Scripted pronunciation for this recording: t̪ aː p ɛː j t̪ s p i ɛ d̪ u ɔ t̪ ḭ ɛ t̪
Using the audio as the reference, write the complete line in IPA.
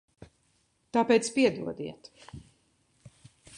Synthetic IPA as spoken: t̪ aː p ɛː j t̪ s p i ɛ d̪ u ɔ d̪ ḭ ɛ t̪